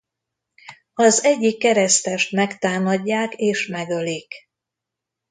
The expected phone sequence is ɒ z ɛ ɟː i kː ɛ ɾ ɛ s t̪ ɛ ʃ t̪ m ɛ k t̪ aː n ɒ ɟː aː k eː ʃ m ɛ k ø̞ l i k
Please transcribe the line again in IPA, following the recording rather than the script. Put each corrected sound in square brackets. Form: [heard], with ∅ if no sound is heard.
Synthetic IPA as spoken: ɒ z ɛ ɟː i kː ɛ ɾ ɛ s t̪ ɛ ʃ t̪ m ɛ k t̪ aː [m] ɒ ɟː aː k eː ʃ m ɛ [ɡ] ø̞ l i k